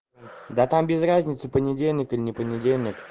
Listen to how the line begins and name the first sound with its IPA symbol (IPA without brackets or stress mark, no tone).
d̪